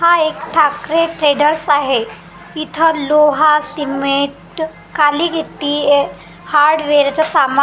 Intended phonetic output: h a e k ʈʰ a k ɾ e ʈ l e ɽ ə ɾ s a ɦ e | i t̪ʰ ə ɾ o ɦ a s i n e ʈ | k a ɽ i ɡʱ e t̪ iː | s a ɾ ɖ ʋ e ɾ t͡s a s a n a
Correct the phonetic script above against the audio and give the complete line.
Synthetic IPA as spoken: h a e k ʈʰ a k ɾ e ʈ ɾ e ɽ ə ɾ s a ɦ e | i t̪ʰ ə l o ɦ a s i m e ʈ | k a l i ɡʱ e t̪ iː | h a ɾ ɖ ʋ e ɾ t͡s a s a m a